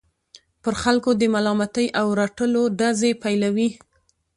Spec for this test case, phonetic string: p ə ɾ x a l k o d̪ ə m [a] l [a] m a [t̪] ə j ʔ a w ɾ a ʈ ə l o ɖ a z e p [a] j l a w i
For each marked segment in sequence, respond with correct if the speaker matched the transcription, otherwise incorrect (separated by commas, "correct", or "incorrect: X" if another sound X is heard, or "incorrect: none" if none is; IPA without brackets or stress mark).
correct, incorrect: ɑ, correct, correct